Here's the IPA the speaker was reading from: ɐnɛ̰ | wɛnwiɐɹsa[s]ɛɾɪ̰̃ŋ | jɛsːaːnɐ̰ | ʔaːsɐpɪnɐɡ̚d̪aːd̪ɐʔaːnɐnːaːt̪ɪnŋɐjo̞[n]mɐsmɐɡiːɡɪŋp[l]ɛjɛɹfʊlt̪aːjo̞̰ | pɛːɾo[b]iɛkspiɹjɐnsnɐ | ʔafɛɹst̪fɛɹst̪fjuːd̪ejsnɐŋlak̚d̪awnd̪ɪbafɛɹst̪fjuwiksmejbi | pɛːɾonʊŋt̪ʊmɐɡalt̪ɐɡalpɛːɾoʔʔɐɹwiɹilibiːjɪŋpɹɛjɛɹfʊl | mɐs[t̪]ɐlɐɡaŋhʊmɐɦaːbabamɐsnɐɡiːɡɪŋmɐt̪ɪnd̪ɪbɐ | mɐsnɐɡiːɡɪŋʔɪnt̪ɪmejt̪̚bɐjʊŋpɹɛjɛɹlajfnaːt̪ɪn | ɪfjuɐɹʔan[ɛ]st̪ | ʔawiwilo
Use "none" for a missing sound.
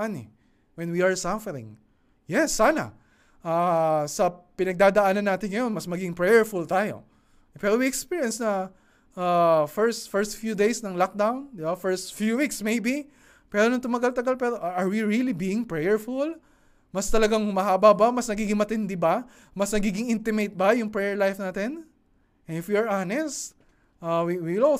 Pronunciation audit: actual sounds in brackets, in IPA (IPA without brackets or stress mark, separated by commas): f, n, ɹ, w, t̪, ɛ